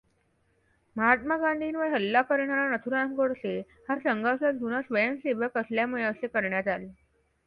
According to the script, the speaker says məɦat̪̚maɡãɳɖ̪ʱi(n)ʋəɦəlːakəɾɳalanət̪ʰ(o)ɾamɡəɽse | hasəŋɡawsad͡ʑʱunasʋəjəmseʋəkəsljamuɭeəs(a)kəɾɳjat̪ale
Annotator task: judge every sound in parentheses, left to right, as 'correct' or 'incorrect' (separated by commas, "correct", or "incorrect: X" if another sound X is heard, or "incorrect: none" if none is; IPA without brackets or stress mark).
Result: correct, incorrect: u, incorrect: e